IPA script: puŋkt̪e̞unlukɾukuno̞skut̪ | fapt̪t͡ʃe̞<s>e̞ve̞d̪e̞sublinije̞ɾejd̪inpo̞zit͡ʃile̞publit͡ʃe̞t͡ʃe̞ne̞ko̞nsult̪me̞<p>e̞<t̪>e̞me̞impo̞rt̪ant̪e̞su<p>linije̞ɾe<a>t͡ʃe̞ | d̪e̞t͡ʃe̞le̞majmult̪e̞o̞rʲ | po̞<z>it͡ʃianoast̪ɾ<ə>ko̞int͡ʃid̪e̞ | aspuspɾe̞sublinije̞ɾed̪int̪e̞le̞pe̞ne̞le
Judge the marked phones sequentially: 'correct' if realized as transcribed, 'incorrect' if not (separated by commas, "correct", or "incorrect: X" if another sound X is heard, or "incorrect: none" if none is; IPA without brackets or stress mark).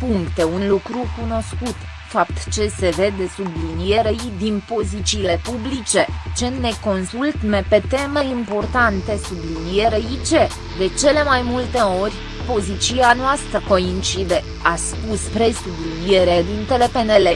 correct, correct, correct, incorrect: b, incorrect: i, correct, correct